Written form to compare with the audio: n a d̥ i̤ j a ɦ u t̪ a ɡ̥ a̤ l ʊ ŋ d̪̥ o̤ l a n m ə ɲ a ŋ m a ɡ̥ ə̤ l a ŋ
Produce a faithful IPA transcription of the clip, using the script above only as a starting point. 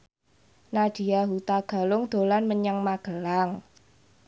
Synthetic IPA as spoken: n a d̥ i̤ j a ɦ u t̪ a ɡ̥ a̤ l ʊ ŋ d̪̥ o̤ l a n m ə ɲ a ŋ m a ɡ̥ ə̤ l a ŋ